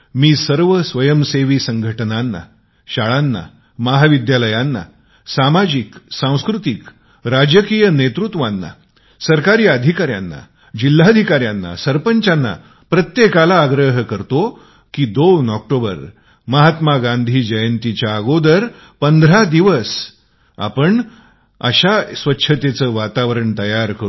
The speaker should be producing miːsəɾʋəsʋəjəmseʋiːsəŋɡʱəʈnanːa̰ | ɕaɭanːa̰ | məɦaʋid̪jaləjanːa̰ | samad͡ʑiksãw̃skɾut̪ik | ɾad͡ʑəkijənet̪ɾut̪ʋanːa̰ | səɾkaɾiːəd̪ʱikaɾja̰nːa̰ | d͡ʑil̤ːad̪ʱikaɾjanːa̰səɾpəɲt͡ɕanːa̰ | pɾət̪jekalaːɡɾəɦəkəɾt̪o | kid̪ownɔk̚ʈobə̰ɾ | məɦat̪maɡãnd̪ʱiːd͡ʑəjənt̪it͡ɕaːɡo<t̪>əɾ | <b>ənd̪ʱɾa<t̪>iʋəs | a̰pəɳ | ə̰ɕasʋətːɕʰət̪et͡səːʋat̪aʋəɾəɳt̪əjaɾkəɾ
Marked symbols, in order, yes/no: no, no, no

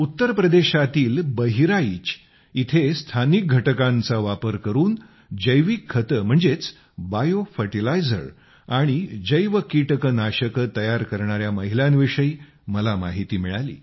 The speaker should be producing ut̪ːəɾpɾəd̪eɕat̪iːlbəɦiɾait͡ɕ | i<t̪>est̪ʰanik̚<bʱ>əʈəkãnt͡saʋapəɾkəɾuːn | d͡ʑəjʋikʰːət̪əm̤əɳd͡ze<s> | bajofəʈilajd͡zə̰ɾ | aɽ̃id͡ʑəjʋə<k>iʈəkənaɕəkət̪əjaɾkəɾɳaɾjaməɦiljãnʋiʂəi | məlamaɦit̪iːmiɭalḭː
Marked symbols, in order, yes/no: no, no, no, yes

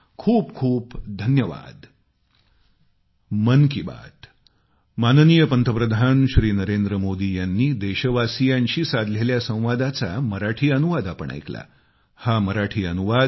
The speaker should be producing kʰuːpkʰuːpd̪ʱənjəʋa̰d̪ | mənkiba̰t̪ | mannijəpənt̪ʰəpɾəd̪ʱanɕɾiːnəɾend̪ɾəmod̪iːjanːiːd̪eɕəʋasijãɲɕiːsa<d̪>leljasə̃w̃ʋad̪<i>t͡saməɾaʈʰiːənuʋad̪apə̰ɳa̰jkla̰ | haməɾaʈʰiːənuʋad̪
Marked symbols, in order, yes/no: yes, no

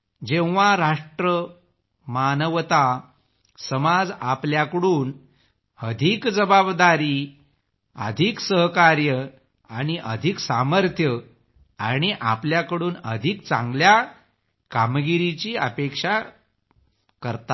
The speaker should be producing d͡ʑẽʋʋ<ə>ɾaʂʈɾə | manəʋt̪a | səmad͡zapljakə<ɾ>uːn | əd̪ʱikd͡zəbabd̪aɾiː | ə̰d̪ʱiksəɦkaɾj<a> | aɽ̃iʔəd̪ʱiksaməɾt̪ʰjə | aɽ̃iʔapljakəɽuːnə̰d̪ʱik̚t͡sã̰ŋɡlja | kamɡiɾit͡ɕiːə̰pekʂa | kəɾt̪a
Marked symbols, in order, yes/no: no, no, no

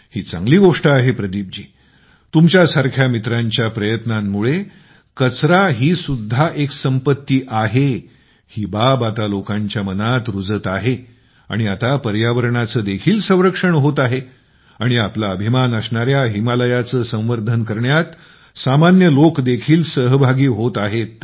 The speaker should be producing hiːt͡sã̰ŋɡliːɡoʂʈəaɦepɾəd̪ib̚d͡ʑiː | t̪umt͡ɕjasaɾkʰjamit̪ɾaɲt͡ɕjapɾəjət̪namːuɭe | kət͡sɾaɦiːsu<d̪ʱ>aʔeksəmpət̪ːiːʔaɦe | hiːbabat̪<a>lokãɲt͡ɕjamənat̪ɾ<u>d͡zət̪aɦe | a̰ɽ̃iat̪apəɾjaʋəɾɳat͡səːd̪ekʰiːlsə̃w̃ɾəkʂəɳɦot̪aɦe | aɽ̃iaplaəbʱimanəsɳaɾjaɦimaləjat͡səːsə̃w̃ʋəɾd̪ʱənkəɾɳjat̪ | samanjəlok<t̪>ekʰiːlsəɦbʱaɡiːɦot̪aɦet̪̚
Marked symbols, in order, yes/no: no, yes, yes, no

